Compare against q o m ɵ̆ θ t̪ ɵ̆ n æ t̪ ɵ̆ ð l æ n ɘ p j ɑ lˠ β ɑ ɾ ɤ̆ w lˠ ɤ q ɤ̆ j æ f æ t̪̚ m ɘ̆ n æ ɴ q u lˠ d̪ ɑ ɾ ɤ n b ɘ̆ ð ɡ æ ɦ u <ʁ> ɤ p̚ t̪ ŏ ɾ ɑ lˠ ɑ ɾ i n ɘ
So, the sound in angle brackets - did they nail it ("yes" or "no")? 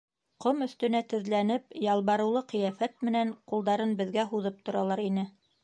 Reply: no